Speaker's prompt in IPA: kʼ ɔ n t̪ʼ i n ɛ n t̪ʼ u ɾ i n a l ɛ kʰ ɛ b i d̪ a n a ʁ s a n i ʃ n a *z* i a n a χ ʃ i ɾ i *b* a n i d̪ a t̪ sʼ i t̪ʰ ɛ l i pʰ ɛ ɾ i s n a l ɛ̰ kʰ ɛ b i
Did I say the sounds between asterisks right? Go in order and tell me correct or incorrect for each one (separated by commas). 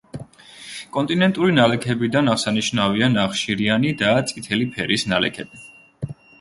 incorrect, incorrect